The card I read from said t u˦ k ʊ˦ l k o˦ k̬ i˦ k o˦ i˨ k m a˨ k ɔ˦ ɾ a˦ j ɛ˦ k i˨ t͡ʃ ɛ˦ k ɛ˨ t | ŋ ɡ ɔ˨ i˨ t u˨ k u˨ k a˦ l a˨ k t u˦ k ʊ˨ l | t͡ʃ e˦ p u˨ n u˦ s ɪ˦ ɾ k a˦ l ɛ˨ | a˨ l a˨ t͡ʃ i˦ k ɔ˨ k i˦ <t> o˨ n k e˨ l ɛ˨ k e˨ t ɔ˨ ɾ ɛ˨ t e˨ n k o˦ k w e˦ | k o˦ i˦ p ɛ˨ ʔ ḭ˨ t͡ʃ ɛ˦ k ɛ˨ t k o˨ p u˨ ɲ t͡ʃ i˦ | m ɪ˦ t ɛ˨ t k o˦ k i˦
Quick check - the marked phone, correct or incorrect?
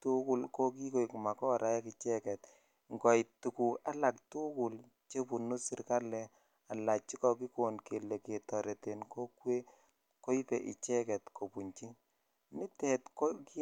incorrect